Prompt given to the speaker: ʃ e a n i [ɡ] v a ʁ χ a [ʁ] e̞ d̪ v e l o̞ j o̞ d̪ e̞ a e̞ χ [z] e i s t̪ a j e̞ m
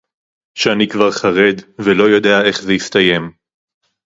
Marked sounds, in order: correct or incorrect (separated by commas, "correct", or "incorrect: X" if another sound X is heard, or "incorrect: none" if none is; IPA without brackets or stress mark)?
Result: incorrect: k, correct, correct